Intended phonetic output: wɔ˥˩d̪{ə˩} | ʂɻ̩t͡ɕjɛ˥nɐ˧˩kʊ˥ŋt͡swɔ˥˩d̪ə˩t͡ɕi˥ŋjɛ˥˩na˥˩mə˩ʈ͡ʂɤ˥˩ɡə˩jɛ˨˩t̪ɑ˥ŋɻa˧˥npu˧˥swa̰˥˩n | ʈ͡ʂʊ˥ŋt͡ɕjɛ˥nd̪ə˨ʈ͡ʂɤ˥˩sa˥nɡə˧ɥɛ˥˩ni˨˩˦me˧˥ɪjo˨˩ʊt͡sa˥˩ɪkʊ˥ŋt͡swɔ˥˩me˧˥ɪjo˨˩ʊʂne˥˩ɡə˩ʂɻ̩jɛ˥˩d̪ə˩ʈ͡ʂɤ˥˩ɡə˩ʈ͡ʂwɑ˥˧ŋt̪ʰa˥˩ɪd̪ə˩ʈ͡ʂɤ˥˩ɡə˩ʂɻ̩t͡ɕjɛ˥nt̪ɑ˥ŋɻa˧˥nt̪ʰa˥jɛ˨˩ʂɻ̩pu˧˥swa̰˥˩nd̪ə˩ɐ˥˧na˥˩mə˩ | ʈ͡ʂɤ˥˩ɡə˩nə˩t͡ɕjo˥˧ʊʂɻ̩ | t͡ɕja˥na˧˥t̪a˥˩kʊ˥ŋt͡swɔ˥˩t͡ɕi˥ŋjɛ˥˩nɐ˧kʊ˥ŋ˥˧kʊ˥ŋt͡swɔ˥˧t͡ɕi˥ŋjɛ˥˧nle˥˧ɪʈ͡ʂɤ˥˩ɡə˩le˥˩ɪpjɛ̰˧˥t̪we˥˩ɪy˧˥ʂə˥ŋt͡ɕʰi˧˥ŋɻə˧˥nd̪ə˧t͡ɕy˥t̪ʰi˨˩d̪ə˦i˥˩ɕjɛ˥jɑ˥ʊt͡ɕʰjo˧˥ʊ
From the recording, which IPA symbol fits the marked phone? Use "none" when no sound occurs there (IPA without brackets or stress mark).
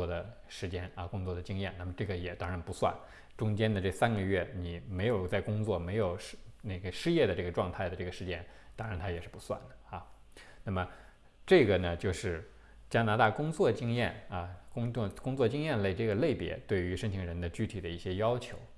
ə˩